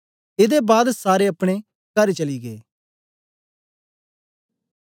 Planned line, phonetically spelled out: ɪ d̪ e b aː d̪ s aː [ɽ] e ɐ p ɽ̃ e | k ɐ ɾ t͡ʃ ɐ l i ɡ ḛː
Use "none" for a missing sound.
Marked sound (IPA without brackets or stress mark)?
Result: ɾ